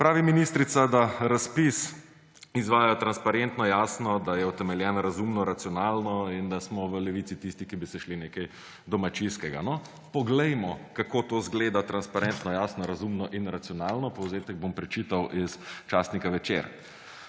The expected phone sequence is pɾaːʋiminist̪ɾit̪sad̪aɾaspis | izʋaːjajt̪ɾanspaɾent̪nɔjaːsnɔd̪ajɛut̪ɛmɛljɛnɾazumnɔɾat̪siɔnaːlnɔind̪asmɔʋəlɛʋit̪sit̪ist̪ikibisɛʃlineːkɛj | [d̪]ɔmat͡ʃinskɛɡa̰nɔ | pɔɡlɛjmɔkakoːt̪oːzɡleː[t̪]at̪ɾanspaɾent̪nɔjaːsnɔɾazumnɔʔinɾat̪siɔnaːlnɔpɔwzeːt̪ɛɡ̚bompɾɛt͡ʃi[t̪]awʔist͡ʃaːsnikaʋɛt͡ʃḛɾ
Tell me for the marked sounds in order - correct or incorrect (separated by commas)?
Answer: correct, incorrect, correct